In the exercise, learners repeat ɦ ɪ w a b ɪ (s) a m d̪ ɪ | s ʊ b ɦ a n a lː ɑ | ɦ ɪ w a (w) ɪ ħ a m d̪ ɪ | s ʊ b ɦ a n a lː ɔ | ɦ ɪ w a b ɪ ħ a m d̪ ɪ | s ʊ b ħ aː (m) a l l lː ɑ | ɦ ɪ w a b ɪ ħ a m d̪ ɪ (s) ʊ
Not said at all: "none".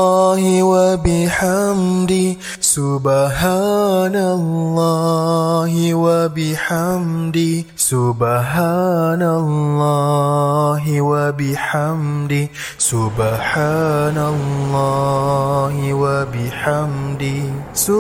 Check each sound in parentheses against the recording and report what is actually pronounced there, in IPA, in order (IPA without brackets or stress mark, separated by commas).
ħ, b, n, s